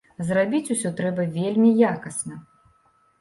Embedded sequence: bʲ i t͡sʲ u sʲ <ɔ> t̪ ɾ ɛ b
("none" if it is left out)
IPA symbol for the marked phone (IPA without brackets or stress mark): ɔ